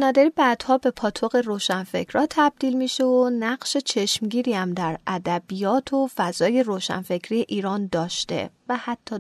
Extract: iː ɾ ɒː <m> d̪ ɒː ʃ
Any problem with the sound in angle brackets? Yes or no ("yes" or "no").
yes